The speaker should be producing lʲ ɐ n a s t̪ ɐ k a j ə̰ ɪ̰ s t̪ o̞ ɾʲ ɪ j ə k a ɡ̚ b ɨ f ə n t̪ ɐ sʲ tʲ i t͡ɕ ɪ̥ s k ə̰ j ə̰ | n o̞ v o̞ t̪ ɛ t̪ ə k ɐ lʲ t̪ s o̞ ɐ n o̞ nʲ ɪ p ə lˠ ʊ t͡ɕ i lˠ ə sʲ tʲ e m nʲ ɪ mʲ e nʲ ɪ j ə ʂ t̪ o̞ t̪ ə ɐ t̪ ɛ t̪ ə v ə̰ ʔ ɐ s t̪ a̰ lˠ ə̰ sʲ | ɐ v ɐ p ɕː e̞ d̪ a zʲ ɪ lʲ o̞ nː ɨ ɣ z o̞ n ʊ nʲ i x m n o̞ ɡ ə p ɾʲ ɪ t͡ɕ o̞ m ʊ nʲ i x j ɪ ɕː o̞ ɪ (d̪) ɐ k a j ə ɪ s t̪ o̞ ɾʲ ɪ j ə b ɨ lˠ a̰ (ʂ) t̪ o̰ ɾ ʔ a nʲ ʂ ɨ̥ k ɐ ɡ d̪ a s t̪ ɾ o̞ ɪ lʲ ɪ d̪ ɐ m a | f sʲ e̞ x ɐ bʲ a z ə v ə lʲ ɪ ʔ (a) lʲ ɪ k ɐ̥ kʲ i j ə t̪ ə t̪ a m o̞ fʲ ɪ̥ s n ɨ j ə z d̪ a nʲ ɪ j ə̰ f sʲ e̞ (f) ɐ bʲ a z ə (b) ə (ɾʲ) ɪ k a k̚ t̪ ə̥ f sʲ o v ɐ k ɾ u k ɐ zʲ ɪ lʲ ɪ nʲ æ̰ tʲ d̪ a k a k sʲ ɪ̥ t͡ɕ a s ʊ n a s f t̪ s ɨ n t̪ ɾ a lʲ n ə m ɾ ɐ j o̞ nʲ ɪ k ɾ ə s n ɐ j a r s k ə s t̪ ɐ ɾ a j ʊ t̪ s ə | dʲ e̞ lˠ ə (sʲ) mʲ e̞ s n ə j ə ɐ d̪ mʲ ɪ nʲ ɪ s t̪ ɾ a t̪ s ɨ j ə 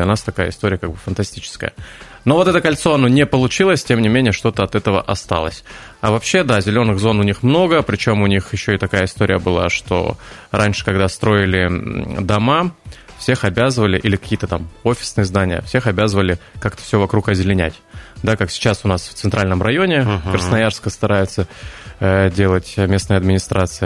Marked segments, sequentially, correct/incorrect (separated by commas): incorrect, correct, incorrect, incorrect, incorrect, incorrect, incorrect